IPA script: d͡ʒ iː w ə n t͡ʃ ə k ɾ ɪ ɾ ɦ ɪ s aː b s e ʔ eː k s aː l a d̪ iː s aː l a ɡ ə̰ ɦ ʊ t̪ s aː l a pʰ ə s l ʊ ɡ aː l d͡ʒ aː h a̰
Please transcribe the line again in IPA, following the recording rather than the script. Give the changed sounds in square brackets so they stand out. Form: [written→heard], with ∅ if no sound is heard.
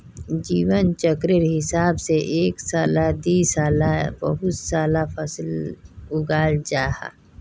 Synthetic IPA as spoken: d͡ʒ iː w ə n t͡ʃ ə k ɾ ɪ ɾ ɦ ɪ s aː b s e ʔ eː k s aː l a d̪ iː s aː l a [ɡ→b] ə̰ ɦ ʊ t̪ s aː l a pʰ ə s l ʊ ɡ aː l d͡ʒ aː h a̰